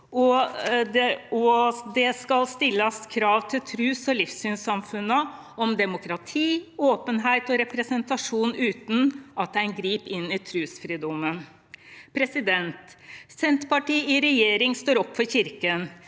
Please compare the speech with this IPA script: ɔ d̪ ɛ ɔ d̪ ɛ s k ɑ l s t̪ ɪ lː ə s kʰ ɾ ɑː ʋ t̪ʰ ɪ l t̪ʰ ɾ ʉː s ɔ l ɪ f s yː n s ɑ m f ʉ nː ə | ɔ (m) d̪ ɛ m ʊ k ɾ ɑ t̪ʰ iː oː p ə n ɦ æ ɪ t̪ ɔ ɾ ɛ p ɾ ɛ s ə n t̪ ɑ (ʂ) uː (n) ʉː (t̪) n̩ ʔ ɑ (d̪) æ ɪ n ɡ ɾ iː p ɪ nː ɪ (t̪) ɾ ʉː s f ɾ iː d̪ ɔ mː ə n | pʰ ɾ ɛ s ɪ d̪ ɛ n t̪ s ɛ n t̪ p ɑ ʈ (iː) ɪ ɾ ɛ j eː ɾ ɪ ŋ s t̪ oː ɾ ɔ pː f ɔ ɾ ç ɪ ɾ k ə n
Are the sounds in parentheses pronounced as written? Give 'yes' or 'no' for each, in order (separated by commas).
yes, yes, yes, yes, no, no, yes